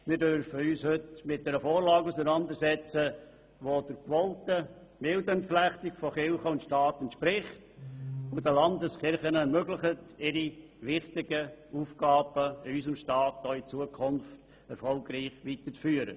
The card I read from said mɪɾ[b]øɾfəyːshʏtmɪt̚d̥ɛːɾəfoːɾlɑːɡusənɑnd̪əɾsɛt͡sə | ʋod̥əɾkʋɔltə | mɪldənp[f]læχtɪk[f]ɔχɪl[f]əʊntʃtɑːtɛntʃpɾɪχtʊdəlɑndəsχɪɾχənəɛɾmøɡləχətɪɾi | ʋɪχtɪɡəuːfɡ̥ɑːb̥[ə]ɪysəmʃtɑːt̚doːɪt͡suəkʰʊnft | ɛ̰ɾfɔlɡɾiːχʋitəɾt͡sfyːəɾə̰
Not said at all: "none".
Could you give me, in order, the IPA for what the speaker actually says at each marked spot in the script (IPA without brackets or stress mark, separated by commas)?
d, f, f, χ, ə